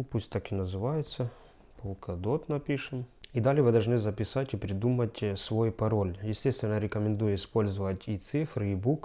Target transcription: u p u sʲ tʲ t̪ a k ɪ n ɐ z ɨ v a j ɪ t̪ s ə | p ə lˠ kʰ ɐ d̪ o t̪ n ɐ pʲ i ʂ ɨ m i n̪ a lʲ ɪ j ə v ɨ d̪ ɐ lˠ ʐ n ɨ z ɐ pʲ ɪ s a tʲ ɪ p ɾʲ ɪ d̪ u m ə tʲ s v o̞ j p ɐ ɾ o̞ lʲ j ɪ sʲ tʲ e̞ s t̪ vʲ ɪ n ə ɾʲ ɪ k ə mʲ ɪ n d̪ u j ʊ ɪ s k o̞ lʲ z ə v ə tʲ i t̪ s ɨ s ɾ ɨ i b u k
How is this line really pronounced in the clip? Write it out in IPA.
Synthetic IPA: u p u sʲ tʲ t̪ a k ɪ n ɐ z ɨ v a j ɪ t̪ s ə | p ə lˠ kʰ ɐ d̪ o t̪ n ɐ pʲ i ʂ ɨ m i d̪ a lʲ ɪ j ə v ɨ d̪ ɐ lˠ ʐ n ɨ z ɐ pʲ ɪ s a tʲ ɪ p ɾʲ ɪ d̪ u m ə tʲ s v o̞ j p ɐ ɾ o̞ lʲ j ɪ sʲ tʲ e̞ s t̪ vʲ ɪ n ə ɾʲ ɪ k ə mʲ ɪ n d̪ u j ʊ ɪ s p o̞ lʲ z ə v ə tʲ i t̪ s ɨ f ɾ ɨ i b u k